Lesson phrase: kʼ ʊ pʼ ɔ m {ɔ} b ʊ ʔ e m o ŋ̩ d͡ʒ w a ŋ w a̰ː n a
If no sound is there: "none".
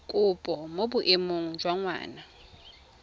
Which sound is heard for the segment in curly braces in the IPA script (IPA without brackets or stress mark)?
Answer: o